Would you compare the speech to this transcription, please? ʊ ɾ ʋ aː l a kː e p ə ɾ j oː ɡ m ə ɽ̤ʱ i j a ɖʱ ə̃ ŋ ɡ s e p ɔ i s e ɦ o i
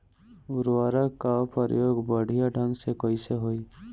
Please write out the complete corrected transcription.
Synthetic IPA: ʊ ɾ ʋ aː ɾ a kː a p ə ɾ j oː ɡ b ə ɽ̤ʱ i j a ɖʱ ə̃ ŋ ɡ s e k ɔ i s e ɦ o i